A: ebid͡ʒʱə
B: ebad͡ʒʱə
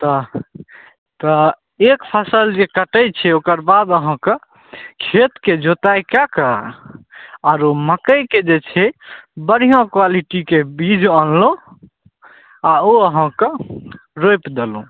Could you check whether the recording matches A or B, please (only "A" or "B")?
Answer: A